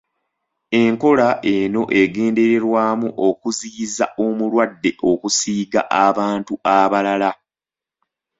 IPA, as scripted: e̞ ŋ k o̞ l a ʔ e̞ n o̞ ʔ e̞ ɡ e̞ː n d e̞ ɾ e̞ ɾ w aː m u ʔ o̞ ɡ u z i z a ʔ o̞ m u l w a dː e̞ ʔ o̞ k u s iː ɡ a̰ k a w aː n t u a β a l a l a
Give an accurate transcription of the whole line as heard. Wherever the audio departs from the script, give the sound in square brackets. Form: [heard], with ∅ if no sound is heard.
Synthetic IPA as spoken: e̞ ŋ k o̞ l a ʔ e̞ n o̞ ʔ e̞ ɡ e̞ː n d e̞ ɾ e̞ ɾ w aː m u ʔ o̞ [k] u z i z a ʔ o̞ m u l w a dː e̞ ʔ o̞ k u s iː ɡ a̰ [ʔ] a [β] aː n t u a β a l a l a